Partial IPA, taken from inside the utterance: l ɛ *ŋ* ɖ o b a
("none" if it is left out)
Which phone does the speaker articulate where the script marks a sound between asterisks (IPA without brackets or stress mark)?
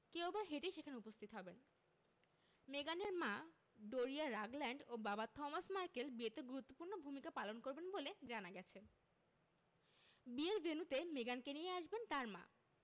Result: ɳ